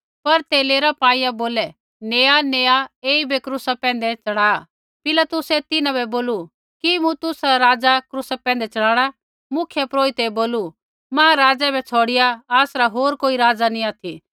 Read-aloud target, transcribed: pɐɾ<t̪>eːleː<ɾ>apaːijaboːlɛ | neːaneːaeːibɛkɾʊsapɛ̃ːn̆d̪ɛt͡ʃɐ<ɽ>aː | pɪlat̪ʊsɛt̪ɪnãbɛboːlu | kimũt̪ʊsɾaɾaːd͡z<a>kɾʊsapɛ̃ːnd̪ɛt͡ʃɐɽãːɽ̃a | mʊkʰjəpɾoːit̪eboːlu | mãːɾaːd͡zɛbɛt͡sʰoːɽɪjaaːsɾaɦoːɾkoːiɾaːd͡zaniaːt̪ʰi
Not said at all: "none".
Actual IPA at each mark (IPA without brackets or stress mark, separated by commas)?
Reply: t̪, ɾ, ɽ, a